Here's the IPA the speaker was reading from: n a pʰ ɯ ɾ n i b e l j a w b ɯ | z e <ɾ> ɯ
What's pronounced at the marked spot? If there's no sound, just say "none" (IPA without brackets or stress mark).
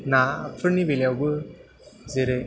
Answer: ɾ